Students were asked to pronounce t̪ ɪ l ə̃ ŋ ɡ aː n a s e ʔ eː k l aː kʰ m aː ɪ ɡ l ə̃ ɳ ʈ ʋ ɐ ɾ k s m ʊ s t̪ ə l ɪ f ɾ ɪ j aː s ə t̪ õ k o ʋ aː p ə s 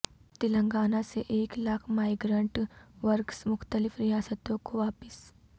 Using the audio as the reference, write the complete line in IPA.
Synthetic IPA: t̪ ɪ l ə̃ ŋ ɡ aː n a s e ʔ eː k l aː kʰ m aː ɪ ɡ ɾ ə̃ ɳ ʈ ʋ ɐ ɾ k s m ʊ x t̪ ə l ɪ f ɾ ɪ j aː s ə t̪ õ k o ʋ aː p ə s